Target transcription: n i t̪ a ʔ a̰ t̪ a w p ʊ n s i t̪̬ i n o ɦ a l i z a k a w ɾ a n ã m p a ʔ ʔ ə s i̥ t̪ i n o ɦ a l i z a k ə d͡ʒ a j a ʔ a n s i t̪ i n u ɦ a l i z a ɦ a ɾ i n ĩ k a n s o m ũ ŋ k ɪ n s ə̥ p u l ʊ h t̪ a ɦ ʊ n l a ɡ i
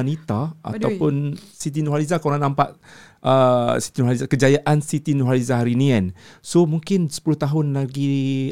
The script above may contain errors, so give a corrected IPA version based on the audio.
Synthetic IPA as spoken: n i t̪ a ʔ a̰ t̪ a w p ʊ n s i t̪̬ i n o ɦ a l i z a k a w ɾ a n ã m p a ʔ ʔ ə s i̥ t̪ i n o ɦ a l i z a k ə d͡ʒ a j a ʔ a n s i t̪ i n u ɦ a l i z a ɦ a ɾ i n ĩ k a n s o m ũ ŋ k ɪ n s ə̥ p u l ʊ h t̪ a ɦ ʊ n l a ɡ i